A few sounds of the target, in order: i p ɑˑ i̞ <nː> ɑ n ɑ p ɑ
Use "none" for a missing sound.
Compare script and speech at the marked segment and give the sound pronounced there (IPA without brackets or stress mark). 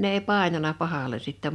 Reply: n